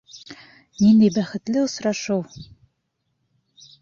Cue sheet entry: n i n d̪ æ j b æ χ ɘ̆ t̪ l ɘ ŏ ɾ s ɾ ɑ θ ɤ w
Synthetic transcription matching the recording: n i n d̪ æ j b æ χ ɘ̆ t̪ l ɘ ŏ s ɾ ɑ ʃ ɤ w